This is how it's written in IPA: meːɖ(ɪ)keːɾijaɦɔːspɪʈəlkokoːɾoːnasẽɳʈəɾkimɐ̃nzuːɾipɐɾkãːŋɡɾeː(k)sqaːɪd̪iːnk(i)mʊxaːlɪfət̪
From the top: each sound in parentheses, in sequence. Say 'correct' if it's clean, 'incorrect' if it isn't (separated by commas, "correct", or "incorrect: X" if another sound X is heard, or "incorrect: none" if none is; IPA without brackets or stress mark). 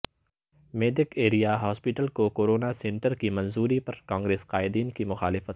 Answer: correct, incorrect: none, correct